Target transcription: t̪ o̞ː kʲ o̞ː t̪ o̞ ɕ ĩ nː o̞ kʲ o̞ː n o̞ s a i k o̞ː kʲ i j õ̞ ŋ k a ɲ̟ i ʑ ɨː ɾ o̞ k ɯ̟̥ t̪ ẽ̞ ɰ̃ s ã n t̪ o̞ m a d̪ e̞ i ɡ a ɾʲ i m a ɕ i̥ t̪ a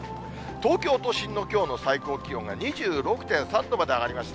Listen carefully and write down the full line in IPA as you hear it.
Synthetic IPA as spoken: t̪ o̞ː kʲ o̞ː t̪ o̞ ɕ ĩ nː o̞ kʲ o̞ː n o̞ s a i k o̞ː kʲ i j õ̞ ŋ ɡ a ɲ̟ i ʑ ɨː ɾ o̞ k ɯ̟̥ t̪ ẽ̞ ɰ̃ s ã n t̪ o̞ m a d̪ e̞ a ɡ a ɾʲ i m a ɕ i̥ t̪ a